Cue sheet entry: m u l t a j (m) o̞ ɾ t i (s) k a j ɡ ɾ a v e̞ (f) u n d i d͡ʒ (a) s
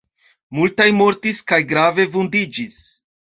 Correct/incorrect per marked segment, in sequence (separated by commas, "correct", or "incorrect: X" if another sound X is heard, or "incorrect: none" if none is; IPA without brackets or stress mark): correct, correct, incorrect: v, incorrect: i